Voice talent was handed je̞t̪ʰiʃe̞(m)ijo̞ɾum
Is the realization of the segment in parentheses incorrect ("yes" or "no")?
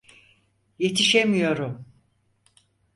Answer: no